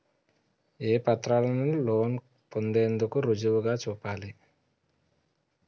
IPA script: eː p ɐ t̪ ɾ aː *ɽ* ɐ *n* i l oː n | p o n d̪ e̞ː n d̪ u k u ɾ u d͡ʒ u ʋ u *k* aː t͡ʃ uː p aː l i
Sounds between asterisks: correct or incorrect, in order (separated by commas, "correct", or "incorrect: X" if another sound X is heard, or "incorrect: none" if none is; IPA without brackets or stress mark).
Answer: incorrect: l, correct, incorrect: ɡ